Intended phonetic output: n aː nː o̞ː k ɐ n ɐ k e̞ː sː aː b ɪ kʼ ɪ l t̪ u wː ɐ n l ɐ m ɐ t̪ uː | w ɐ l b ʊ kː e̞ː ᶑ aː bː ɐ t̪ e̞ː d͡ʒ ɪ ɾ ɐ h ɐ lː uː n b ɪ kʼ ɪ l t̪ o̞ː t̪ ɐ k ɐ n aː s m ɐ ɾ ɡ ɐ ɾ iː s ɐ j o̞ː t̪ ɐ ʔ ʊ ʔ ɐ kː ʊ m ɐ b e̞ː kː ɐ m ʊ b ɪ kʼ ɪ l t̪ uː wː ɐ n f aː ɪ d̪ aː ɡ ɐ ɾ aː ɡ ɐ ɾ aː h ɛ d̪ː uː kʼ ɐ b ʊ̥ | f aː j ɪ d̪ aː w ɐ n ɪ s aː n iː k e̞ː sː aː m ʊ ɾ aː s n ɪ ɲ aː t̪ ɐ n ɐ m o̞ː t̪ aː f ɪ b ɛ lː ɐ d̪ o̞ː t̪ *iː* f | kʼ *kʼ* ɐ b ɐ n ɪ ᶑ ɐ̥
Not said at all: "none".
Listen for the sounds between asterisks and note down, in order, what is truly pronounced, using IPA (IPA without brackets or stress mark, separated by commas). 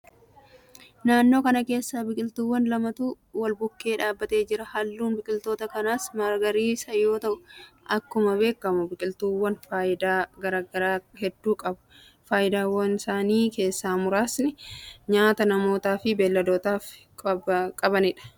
aː, kʼ